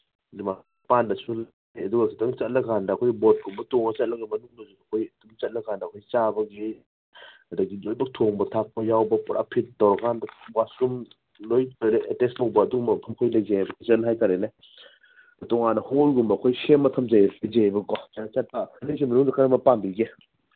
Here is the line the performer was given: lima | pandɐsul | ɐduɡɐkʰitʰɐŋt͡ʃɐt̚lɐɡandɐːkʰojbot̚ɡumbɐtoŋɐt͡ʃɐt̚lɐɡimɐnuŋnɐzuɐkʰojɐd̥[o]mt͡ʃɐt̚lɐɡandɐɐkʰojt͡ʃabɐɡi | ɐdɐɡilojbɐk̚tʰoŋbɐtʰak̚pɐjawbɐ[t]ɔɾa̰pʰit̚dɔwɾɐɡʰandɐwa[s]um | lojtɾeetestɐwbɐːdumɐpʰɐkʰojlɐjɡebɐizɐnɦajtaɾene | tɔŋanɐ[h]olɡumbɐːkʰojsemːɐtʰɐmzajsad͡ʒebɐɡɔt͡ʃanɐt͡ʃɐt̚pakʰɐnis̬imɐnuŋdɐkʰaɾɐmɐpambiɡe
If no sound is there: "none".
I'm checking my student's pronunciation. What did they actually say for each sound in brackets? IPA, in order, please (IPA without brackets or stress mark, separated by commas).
u, p, s, h